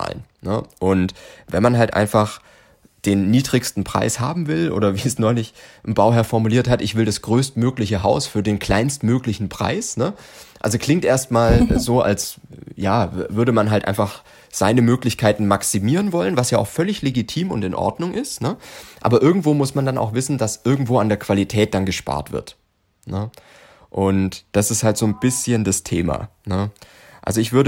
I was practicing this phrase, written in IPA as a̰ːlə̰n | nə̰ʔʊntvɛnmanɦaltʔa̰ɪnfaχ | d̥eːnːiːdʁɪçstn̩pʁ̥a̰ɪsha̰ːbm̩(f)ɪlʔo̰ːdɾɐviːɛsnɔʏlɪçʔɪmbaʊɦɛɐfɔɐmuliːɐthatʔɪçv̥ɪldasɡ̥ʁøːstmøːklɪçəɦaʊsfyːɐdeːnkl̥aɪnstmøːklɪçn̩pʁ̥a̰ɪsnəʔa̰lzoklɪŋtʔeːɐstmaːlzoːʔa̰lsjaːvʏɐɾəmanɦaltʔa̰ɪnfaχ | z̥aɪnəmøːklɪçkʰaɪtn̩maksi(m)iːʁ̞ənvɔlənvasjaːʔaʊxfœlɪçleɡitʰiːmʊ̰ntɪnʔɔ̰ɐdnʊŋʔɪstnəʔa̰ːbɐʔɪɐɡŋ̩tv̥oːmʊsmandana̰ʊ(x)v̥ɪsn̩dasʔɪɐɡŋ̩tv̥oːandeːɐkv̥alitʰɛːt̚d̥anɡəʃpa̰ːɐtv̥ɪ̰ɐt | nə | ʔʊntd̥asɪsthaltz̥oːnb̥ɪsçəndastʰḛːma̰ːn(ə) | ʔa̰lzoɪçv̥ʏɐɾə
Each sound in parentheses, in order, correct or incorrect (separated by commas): incorrect, correct, correct, correct